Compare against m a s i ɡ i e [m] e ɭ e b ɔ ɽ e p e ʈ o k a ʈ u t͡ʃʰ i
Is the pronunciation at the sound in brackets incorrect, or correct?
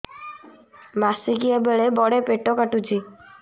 incorrect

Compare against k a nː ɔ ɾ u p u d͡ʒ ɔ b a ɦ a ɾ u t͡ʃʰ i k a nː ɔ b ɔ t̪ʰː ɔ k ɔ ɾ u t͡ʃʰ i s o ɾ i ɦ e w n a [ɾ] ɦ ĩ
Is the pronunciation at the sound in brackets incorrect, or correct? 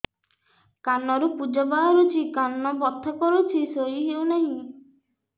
incorrect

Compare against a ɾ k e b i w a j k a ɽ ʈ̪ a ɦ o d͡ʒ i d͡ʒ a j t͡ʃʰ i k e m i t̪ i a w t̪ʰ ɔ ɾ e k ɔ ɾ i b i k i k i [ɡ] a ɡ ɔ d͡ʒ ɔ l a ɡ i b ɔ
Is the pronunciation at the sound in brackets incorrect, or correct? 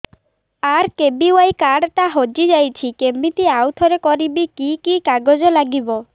incorrect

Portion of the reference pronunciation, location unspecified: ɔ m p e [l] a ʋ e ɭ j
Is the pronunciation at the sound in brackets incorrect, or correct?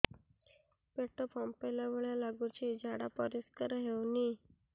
correct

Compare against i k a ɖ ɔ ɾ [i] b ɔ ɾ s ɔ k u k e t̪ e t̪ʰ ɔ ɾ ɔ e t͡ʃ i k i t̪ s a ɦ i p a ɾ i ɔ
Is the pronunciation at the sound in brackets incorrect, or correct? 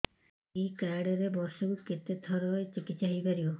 incorrect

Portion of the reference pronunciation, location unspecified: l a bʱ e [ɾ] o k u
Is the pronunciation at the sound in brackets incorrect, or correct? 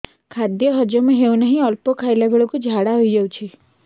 incorrect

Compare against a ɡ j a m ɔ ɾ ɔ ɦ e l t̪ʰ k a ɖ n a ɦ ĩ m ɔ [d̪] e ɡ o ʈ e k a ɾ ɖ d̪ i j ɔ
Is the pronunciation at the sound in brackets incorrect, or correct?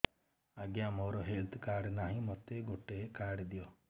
incorrect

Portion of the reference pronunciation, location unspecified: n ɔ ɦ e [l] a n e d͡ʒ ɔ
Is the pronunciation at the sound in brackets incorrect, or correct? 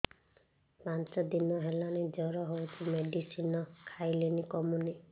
correct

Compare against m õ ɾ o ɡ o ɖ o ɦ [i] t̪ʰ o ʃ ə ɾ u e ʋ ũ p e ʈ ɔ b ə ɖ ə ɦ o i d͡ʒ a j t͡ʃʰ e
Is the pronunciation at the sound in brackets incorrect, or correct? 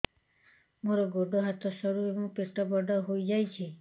incorrect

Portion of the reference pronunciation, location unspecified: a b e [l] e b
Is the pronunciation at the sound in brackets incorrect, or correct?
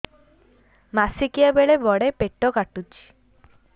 incorrect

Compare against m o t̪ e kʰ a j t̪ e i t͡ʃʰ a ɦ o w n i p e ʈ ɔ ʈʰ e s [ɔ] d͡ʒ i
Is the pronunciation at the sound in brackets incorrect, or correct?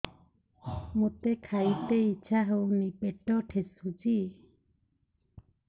incorrect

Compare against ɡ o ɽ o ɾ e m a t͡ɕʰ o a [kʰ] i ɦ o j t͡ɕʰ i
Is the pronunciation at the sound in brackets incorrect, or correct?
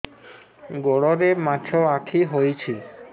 correct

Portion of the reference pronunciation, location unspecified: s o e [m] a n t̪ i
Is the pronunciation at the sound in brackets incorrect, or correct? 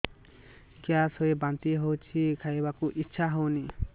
incorrect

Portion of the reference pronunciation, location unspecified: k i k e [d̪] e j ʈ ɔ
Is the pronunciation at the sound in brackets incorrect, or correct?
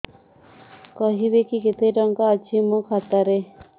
incorrect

